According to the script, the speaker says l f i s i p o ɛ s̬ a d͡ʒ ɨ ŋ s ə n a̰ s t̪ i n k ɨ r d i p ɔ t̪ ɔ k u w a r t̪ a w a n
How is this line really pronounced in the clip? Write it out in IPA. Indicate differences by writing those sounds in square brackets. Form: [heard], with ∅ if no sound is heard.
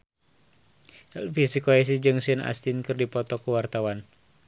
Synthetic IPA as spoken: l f i s i [k] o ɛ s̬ [i] d͡ʒ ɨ ŋ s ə n a̰ s t̪ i n k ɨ r d i p ɔ t̪ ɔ k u w a r t̪ a w a n